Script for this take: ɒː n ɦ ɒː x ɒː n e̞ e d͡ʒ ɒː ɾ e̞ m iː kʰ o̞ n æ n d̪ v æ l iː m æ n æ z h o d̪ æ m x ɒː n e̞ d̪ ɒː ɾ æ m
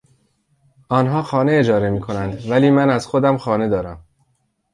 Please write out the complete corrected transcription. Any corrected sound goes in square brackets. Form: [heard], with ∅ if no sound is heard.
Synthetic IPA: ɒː n ɦ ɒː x ɒː n e̞ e d͡ʒ ɒː ɾ e̞ m iː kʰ o̞ n æ n d̪ v æ l iː m æ n æ z [x] o d̪ æ m x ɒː n e̞ d̪ ɒː ɾ æ m